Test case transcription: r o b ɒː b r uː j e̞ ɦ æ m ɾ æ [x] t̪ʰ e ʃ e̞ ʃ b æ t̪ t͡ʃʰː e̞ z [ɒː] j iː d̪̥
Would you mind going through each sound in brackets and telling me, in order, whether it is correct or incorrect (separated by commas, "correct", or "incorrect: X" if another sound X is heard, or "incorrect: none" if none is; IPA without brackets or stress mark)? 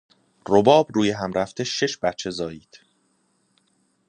incorrect: f, correct